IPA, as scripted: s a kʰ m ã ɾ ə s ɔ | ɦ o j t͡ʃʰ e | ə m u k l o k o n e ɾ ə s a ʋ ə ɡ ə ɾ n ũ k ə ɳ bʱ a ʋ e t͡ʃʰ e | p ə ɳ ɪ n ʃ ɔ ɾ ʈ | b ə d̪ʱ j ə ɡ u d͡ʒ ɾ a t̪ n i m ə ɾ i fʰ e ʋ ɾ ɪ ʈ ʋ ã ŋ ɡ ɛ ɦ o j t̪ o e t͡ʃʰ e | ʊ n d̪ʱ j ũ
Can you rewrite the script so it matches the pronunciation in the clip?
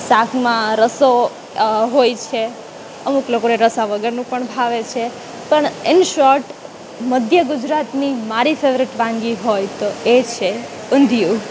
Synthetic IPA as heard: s a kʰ m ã ɾ ə s o | ɦ o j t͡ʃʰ e | ə m u k l o k o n e ɾ ə s a ʋ ə ɡ ə ɾ n ũ p ə ɳ bʱ a ʋ e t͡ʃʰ e | p ə ɳ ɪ n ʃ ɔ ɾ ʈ | m ə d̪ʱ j ə ɡ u d͡ʒ ɾ a t̪ n i m a ɾ i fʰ e ʋ ɾ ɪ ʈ ʋ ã ŋ ɡ i ɦ o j t̪ o e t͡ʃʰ e | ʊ n d̪ʱ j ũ